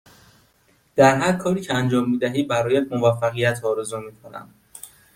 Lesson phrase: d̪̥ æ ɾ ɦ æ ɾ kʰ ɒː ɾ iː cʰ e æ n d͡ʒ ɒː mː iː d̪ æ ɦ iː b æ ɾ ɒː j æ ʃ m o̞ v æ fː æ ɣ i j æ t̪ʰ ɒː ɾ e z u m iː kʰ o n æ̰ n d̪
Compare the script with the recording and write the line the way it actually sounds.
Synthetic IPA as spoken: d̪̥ æ ɾ ɦ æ ɾ kʰ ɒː ɾ iː cʰ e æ n d͡ʒ ɒː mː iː d̪ æ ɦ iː b æ ɾ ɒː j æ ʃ m o̞ v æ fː æ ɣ i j æ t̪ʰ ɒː ɾ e z u m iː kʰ o n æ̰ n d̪